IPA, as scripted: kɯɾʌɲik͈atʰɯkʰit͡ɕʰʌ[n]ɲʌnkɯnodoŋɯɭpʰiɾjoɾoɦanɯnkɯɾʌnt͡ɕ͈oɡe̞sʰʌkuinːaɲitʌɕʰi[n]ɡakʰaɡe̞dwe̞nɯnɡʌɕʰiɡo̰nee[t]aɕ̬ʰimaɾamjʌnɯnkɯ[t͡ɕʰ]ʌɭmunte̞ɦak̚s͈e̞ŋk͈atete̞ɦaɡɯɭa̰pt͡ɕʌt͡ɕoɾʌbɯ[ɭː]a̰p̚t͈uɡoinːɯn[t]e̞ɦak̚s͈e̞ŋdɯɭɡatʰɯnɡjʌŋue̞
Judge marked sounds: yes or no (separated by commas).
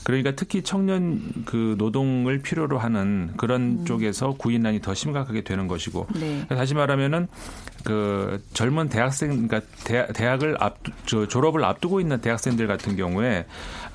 no, no, yes, no, no, yes